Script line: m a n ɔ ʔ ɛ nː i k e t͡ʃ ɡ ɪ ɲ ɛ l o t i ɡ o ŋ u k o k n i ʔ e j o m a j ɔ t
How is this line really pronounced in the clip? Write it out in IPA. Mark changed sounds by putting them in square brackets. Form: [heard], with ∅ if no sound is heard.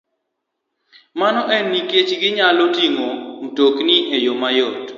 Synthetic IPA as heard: m a n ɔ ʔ ɛ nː i k e t͡ʃ ɡ ɪ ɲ [a] l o t i [ŋ] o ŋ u [t] o k n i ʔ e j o m a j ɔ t